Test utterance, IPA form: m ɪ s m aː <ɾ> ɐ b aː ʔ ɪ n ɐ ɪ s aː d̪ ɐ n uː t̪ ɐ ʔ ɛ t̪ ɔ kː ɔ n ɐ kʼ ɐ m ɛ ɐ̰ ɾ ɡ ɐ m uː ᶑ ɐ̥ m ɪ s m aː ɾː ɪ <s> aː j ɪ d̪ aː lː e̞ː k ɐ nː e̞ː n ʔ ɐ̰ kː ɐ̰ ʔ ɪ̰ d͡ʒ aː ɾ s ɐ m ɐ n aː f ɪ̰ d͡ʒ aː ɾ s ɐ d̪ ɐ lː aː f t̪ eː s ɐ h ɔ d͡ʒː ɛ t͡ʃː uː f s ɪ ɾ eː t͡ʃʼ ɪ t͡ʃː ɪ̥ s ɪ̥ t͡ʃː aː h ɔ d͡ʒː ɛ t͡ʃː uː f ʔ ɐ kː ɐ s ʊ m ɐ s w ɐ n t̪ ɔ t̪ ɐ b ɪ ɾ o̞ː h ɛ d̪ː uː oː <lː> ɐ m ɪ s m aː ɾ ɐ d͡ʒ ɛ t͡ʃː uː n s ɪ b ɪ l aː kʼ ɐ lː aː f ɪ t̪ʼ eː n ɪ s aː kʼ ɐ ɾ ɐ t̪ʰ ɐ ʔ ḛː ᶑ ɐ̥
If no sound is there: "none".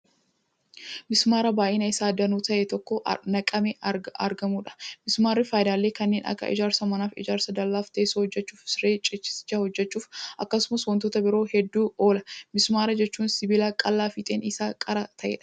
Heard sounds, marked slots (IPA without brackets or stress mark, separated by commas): ɾ, f, l